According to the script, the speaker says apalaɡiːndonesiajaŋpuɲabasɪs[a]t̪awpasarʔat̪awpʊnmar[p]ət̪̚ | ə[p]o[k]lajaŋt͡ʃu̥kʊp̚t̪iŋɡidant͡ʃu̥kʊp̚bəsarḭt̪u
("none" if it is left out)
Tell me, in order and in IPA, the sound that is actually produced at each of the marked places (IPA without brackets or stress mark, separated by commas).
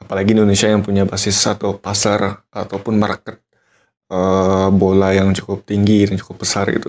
a, k, b, none